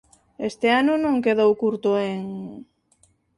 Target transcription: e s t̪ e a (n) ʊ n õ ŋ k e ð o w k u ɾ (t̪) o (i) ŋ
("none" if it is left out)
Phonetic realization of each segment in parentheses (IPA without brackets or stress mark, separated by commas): n, t̪, e